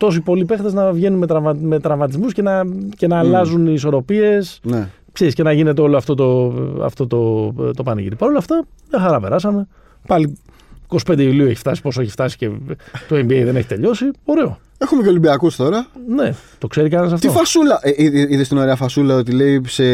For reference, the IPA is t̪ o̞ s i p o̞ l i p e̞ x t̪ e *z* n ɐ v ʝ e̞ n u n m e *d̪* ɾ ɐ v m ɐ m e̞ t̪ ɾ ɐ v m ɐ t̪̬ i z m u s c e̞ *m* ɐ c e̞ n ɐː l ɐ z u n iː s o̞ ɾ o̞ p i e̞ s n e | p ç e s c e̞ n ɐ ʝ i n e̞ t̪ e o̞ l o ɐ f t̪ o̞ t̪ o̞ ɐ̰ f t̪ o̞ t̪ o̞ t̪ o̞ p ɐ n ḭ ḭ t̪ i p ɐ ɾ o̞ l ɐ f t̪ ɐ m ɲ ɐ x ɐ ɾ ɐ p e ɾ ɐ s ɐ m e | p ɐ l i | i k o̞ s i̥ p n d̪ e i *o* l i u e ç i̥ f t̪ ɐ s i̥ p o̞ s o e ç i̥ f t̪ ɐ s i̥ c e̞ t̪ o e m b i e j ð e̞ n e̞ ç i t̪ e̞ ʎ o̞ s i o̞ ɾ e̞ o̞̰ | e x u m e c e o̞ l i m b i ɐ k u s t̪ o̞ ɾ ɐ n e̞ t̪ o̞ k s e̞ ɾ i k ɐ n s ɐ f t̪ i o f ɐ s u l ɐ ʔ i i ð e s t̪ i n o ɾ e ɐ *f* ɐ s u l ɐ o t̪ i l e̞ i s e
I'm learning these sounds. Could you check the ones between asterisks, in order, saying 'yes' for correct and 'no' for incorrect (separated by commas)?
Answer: yes, no, no, no, yes